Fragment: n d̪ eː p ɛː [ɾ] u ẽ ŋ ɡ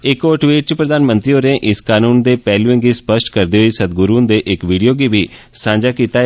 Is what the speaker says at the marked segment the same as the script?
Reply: no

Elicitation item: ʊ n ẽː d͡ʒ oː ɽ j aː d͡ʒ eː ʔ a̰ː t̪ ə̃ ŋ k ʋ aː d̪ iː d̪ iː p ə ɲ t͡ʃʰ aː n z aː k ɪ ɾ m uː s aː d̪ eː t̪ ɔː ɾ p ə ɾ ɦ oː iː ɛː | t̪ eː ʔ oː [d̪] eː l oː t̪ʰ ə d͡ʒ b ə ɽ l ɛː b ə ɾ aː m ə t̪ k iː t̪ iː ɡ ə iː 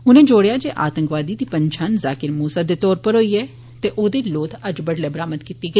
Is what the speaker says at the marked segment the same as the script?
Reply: yes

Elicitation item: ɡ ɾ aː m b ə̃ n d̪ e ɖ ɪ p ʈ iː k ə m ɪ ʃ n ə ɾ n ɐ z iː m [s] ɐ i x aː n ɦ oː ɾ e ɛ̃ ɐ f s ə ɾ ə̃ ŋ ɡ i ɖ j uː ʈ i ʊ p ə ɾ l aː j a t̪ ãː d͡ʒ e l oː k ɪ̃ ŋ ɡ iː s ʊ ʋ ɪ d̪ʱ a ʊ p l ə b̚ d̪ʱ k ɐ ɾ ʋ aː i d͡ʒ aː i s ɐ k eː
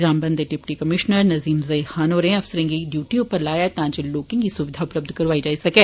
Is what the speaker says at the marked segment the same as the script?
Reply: no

